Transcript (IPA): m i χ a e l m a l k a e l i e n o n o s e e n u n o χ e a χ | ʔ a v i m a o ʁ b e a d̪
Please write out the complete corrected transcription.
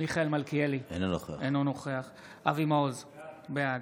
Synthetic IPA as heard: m i χ a e l m a l k i e l i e n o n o χ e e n o n o χ e a χ | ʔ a v i m a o z b e a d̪